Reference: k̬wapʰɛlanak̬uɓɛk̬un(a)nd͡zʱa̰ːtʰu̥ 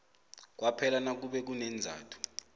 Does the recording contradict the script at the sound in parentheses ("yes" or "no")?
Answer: yes